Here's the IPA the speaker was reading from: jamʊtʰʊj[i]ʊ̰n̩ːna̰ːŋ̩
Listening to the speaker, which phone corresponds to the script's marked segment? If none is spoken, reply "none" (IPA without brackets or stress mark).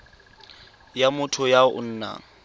a